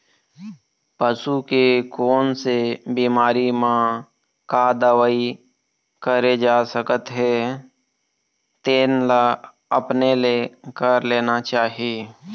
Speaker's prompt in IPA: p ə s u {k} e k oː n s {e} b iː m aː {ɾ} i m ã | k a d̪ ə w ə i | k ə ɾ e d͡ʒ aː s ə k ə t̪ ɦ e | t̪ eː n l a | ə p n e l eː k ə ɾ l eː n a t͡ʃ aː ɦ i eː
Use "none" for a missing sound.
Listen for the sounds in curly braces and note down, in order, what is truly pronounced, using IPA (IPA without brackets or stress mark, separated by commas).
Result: k, e, ɾ